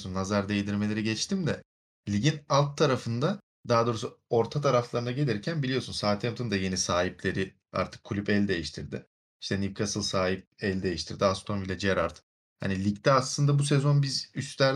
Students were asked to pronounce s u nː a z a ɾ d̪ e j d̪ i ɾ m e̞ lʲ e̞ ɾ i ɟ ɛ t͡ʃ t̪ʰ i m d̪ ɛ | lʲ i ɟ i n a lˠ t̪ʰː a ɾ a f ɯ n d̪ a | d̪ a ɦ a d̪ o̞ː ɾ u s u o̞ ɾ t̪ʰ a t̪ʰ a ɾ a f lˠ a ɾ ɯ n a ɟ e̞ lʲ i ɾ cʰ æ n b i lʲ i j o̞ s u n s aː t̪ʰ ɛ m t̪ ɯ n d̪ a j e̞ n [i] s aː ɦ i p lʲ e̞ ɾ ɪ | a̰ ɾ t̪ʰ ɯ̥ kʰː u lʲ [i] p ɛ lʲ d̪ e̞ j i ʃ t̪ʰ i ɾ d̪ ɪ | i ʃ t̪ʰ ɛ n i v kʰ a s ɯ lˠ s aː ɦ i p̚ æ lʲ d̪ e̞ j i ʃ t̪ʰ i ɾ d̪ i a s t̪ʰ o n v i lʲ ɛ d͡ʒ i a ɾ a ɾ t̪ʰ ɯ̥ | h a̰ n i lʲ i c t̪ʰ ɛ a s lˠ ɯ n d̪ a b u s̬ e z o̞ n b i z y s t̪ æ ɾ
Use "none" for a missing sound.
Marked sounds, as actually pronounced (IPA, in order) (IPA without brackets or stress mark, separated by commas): i, y